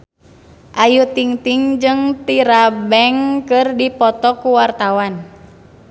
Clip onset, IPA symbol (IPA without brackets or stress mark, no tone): ʔ